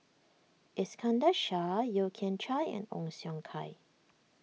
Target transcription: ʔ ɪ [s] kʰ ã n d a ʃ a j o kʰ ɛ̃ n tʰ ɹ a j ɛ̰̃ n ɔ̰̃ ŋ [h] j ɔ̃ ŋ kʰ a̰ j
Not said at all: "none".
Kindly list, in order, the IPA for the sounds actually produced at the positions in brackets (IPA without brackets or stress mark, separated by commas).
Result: s, s